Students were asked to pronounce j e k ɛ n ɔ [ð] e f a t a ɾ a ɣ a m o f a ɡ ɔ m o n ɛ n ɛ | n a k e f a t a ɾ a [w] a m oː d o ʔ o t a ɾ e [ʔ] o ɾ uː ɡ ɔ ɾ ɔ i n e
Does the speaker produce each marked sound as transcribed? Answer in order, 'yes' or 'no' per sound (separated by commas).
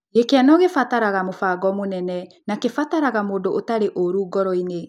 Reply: no, no, yes